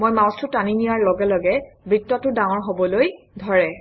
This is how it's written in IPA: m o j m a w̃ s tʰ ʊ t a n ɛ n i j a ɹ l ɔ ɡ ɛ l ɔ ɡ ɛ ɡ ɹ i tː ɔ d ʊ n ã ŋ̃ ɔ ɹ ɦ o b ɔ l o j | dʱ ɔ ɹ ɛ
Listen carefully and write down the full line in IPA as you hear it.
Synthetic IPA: m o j m a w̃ s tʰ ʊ t a n i n i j a ɹ l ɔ ɡ ɛ l ɔ ɡ ɛ b ɹ i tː ɔ t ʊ d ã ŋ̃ ɔ ɹ ɦ o b ɔ l o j | dʱ ɔ ɹ ɛ